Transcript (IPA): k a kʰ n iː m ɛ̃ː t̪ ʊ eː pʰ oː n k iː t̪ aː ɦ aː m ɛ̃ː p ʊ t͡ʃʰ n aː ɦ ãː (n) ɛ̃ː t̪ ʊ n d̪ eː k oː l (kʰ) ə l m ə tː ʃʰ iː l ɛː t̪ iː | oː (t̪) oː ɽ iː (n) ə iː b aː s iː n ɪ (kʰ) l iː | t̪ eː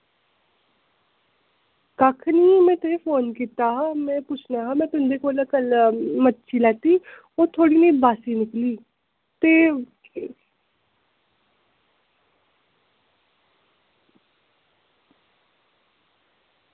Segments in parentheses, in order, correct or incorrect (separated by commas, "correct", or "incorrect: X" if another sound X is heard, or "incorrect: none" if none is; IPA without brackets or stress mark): incorrect: m, incorrect: k, incorrect: t̪ʰ, correct, incorrect: k